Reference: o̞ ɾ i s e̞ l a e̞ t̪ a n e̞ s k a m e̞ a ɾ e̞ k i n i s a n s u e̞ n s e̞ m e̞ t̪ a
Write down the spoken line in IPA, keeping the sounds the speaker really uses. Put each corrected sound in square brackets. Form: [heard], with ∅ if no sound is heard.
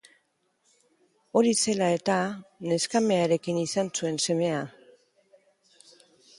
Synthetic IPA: o̞ ɾ i s e̞ l a e̞ t̪ a n e̞ s k a m e̞ a ɾ e̞ k i n i s a n s u e̞ n s e̞ m e̞ [∅] a